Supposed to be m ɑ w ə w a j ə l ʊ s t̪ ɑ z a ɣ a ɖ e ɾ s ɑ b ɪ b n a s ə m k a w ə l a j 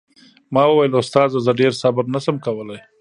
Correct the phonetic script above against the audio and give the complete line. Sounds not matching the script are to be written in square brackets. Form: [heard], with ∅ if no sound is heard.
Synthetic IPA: m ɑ w ə w a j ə l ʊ s t̪ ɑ z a [z] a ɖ e ɾ s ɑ b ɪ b n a s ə m k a w ə l a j

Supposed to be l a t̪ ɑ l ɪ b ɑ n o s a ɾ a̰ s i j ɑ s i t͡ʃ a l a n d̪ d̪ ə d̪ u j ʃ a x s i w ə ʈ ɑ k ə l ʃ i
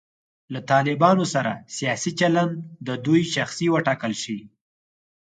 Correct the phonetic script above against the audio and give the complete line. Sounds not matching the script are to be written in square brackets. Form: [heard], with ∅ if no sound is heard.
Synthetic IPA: l a t̪ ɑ l ɪ b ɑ n o s a ɾ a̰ s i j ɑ s i t͡ʃ a l a n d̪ d̪ ə d̪ u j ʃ a x s i w ə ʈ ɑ k ə l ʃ i

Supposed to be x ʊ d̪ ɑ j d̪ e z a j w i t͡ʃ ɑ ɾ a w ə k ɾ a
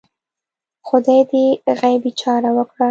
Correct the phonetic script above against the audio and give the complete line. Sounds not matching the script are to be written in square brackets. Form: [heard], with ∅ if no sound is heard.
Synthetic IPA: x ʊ d̪ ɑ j d̪ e [ɣ] a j [b] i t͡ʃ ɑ ɾ a w ə k [ɽ] a

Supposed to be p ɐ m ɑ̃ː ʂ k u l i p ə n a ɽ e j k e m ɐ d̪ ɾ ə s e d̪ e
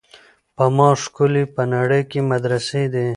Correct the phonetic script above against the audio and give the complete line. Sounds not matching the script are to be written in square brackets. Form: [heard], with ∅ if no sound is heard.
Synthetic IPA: p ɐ m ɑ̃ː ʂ k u l i p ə n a ɽ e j k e m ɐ d̪ ɾ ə s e d̪ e

